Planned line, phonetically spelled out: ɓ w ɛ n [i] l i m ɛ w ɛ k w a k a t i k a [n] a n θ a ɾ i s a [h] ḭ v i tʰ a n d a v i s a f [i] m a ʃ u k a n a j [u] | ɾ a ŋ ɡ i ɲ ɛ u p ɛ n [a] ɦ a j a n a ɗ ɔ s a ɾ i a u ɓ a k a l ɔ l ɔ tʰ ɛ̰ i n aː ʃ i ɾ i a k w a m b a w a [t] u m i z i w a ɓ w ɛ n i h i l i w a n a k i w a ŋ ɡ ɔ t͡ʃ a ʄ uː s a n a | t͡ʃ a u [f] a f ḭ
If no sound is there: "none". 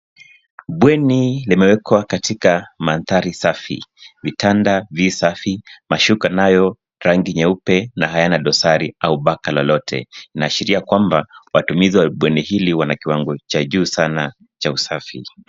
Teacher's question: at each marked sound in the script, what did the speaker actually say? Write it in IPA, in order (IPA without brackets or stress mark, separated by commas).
i, m, f, i, ɔ, a, t, s